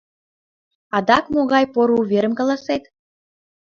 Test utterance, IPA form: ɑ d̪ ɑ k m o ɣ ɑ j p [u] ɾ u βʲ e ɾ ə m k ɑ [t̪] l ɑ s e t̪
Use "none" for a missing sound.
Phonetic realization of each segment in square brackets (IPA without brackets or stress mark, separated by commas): o, none